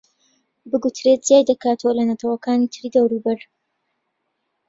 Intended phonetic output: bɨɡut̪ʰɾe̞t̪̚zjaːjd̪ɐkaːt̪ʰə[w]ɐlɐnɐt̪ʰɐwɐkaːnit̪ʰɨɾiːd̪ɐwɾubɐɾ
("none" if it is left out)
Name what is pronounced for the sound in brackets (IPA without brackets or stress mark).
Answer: w